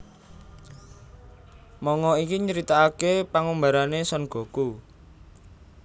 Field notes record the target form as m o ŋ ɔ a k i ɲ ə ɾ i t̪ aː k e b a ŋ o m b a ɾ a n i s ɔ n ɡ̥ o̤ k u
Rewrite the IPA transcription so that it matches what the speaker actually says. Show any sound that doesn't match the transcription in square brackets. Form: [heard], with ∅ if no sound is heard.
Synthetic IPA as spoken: m [ɔ] ŋ ɔ [i] k i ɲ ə ɾ i t̪ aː k e [p] a ŋ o m b a ɾ a n [e] s ɔ n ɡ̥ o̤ k u